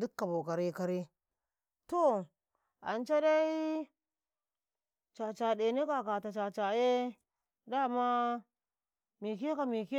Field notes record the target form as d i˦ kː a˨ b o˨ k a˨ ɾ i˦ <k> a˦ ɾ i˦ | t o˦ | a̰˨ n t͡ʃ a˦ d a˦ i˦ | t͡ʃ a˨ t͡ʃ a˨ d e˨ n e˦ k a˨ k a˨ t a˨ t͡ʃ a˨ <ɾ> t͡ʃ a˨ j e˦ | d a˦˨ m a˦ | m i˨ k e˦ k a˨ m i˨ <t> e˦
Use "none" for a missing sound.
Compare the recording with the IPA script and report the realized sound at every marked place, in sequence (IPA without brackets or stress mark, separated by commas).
k, none, k